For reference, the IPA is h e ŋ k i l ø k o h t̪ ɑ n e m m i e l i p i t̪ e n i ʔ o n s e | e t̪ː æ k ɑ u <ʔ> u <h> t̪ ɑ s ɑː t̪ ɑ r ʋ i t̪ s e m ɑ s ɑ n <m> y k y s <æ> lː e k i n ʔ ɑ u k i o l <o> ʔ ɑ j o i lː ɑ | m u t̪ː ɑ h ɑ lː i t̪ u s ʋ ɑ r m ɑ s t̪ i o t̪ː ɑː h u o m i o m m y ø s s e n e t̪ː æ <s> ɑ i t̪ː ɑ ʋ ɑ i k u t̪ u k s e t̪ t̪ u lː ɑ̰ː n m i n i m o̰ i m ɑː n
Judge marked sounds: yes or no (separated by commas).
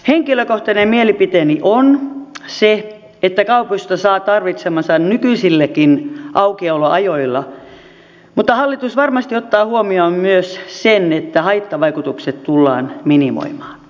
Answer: no, no, no, no, yes, no